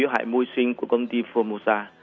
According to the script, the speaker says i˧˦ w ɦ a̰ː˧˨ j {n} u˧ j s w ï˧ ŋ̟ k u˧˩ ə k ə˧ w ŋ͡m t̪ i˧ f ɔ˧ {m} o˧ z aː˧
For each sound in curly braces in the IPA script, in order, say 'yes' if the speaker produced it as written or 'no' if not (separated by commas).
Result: no, yes